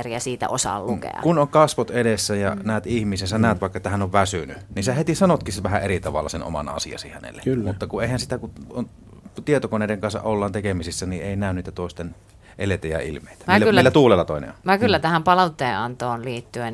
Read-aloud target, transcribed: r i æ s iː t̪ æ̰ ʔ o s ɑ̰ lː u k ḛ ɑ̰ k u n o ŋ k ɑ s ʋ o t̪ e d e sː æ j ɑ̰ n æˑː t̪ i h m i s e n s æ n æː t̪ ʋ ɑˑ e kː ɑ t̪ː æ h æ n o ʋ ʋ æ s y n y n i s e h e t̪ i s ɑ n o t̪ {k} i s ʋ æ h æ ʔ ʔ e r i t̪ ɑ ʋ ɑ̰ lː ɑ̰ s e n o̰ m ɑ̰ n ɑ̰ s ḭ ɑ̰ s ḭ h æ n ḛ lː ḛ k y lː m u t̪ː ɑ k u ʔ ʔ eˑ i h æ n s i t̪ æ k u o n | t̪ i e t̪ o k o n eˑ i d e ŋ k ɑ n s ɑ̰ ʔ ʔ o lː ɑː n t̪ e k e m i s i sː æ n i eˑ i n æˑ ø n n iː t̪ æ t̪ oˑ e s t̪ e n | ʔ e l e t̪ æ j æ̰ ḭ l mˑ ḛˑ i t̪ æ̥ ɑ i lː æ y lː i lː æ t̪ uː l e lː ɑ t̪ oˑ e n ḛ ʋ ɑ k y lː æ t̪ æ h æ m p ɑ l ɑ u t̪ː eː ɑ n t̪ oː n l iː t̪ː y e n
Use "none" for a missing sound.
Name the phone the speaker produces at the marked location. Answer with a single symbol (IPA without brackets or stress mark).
k